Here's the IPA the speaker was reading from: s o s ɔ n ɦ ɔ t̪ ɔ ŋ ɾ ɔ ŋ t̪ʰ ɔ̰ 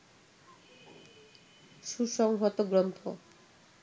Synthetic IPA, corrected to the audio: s u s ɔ ŋ ɦ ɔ t̪ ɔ ɡ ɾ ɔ n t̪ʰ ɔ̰